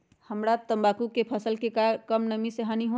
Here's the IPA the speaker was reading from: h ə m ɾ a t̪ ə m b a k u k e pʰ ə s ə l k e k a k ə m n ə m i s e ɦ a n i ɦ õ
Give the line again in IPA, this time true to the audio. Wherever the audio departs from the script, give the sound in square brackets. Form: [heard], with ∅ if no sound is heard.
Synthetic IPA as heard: h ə m ɾ a t̪ ə m b a k u k e pʰ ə s ə l k e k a k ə m n ə m i s e ɦ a n i ɦ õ